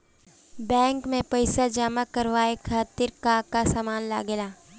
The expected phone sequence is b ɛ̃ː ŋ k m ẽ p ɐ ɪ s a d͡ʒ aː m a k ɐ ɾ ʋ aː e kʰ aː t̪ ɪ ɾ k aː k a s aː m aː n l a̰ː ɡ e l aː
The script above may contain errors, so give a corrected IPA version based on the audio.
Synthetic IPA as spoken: b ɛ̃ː ŋ k m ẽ p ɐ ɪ s a d͡ʒ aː m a k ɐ ɾ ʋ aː e kʰ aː t̪ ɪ ɾ k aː k a s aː m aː n l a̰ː ɡ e l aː